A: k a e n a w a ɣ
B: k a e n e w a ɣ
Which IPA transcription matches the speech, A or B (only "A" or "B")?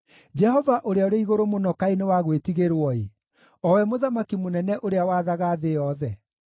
B